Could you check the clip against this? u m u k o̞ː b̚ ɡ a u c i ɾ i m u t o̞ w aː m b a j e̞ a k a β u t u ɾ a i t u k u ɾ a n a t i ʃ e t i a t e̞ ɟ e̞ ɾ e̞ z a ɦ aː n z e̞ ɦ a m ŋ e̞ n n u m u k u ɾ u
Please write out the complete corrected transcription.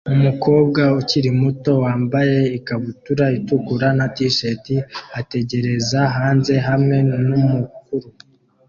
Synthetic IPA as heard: u m u k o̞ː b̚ ɡ a u c i ɾ i m u t o̞ w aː m b a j e̞ i k a β u t u ɾ a i t u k u ɾ a n a t i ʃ e t i a t e̞ ɟ e̞ ɾ e̞ z a ɦ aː n z e̞ ɦ a m ŋ e̞ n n u m u k u ɾ u